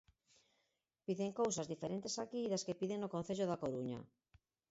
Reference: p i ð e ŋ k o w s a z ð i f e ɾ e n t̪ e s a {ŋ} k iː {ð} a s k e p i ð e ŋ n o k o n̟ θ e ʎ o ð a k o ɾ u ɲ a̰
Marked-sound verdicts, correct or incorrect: incorrect: none, correct

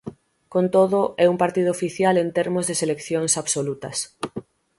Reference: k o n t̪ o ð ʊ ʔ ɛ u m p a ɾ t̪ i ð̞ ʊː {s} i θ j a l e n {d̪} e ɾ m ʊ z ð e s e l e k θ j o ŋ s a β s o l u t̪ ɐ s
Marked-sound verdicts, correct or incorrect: incorrect: f, incorrect: t̪

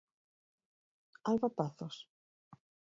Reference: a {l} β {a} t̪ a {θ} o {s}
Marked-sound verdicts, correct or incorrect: correct, correct, correct, correct

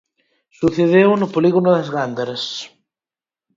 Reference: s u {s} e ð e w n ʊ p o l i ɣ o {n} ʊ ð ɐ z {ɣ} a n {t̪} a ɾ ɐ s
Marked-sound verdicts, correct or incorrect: incorrect: θ, correct, correct, incorrect: d̪

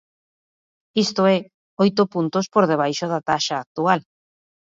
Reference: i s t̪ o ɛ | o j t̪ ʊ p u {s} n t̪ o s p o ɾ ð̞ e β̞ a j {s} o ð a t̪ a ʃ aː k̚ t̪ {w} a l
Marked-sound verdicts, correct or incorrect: incorrect: none, incorrect: ʃ, incorrect: u

